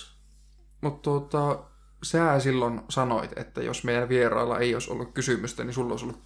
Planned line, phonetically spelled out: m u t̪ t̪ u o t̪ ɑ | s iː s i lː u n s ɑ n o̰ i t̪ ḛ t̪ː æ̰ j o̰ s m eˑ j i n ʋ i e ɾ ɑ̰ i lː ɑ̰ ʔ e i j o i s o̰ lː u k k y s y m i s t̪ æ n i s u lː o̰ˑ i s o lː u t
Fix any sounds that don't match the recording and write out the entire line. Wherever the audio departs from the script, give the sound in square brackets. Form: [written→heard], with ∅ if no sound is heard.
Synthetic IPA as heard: m u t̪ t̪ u o t̪ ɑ | s [iː→æː] s i lː [u→o] n s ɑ n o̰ i t̪ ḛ t̪ː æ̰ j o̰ s m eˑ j [i→æ] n ʋ i e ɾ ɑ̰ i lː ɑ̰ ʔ e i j o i s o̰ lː u k k y s y m [i→y] s t̪ æ n i s u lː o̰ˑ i s o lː u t